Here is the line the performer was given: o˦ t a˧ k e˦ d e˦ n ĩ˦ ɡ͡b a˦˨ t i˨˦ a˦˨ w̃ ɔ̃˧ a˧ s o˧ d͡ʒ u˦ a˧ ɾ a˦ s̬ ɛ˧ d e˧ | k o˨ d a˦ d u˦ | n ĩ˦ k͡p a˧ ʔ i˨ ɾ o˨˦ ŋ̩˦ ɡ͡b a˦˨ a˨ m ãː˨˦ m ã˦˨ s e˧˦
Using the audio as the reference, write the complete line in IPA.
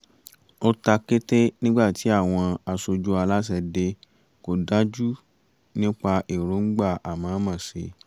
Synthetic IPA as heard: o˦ t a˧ k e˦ t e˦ n ĩ˦ ɡ͡b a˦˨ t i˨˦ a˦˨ w̃ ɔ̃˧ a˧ s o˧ d͡ʒ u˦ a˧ l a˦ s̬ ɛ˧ d e˧ | k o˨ d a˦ d͡ʒ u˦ | n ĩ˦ k͡p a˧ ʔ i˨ ɾ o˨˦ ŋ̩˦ ɡ͡b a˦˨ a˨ m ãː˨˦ m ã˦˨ s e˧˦